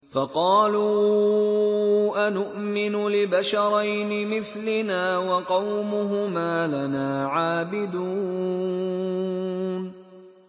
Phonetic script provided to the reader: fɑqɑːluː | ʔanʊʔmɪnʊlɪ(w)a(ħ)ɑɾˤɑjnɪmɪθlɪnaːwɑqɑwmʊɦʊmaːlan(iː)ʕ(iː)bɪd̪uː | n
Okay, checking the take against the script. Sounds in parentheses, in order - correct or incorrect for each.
incorrect, incorrect, incorrect, incorrect

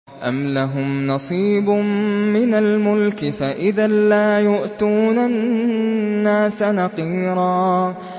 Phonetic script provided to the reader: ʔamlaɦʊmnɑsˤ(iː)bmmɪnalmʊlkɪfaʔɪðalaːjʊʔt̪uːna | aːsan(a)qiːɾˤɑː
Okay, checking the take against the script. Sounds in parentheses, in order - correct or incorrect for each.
correct, incorrect

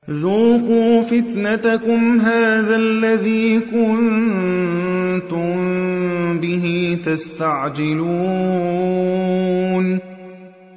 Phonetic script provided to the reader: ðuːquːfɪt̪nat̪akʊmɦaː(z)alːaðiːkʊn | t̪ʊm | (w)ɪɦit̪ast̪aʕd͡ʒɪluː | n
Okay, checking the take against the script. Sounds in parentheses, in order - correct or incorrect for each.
incorrect, incorrect

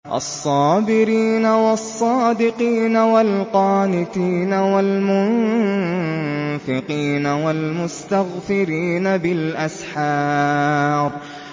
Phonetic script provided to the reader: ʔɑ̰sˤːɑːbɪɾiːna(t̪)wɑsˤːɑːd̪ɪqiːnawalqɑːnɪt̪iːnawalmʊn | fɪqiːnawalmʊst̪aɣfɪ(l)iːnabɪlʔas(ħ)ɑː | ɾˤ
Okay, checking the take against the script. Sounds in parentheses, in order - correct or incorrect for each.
incorrect, incorrect, correct

